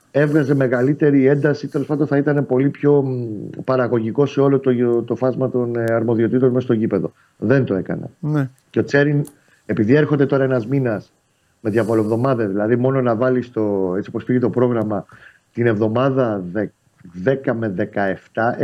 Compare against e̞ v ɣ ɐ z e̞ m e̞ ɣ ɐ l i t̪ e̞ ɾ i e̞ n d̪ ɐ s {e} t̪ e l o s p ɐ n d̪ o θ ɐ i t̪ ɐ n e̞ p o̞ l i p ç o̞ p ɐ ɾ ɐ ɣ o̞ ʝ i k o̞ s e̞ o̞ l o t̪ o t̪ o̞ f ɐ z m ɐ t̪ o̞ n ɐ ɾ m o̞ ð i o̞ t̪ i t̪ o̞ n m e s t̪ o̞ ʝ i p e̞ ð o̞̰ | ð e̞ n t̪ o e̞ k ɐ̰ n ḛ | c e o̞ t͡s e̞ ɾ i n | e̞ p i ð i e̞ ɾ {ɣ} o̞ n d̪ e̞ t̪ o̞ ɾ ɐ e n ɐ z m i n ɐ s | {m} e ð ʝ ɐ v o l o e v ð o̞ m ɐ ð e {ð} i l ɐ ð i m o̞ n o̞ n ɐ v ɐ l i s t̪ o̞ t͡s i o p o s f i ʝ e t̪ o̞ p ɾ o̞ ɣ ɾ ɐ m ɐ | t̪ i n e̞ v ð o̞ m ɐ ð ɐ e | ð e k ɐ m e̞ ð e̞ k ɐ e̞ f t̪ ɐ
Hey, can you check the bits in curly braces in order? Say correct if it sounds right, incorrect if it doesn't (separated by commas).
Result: incorrect, incorrect, correct, correct